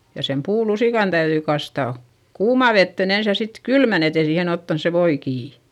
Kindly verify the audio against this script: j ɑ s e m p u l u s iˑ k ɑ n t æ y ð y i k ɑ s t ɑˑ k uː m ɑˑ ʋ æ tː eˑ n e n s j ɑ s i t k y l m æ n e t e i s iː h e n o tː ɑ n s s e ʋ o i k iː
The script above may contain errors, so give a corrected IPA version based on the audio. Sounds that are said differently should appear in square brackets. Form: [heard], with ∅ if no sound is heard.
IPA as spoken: j ɑ s e m p [uː] l u s iˑ k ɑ n t æ y ð y i k ɑ s t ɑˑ k uː m ɑˑ ʋ [e] tː eˑ n e n s j ɑ s i t k y l m æ n e t e i s iː h e n o tː ɑ n s s e ʋ o i k iː